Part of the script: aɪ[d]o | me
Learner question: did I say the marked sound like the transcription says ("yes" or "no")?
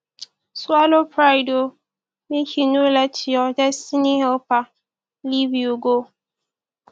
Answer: yes